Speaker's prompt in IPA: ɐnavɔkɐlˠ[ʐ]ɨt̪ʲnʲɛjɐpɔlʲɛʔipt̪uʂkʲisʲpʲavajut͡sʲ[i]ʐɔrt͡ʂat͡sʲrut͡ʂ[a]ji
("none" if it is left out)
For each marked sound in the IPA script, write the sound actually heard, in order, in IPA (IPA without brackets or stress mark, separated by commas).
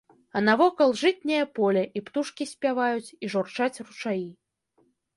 ʐ, i, a